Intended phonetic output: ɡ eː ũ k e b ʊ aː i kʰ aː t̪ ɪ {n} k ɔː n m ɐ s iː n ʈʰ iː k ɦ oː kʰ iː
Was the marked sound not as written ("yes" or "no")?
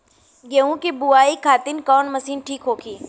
no